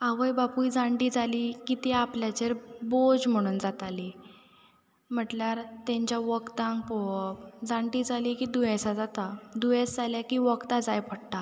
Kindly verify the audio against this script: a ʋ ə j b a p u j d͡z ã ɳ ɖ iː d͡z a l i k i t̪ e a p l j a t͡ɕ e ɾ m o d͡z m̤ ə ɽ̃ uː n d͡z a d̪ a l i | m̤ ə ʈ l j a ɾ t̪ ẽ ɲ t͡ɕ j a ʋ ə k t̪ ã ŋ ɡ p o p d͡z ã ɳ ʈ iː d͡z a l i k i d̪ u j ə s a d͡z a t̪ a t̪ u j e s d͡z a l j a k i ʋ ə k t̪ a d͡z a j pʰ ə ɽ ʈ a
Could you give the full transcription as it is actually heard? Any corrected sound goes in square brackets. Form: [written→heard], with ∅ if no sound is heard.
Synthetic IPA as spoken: a ʋ ə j b a p u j d͡z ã ɳ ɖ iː d͡z a l i k i t̪ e a p l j a t͡ɕ e ɾ [m→b] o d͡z m̤ ə ɽ̃ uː n d͡z a [d̪→t̪] a l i | m̤ ə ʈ l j a ɾ t̪ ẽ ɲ t͡ɕ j a ʋ ə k t̪ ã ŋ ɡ p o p d͡z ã ɳ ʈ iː d͡z a l i k i d̪ u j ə s a d͡z a t̪ a [t̪→d̪] u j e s d͡z a l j a k i ʋ ə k t̪ a d͡z a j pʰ ə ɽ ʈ a